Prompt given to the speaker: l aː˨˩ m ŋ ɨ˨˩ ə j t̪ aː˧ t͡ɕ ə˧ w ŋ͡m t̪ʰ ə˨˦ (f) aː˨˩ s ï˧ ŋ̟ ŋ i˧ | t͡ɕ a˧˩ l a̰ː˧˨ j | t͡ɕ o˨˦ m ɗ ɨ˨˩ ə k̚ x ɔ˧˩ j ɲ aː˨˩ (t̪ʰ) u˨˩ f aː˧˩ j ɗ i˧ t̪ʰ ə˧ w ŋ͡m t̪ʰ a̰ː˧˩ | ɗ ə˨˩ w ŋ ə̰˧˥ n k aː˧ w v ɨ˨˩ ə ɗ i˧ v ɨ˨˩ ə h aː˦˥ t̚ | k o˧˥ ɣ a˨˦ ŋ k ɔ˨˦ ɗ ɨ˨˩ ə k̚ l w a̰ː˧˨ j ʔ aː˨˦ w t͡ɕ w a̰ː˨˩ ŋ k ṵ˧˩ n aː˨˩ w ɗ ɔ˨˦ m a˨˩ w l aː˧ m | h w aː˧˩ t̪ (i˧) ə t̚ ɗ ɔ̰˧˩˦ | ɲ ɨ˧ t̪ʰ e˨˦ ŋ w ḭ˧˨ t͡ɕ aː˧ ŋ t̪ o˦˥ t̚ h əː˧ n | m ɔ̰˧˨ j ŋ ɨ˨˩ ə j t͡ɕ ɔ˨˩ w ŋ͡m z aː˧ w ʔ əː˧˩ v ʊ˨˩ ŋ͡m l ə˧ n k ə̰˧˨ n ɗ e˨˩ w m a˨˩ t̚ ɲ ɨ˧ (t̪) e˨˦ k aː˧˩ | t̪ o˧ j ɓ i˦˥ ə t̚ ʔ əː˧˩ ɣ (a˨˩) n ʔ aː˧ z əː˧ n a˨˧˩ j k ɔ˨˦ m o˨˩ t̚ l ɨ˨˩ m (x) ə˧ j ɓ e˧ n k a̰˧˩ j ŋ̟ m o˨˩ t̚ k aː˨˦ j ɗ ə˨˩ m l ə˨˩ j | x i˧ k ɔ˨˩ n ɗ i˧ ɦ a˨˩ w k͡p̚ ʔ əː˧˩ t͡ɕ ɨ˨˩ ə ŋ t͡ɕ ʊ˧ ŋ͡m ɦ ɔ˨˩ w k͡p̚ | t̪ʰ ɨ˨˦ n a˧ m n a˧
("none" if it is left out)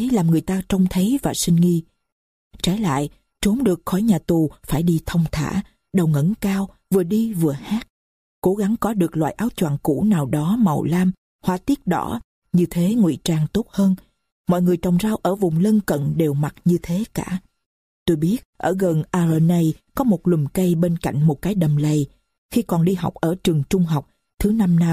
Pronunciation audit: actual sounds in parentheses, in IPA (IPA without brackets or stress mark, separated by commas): v, t̪, i˦˥, t̪ʰ, ə˨˩, k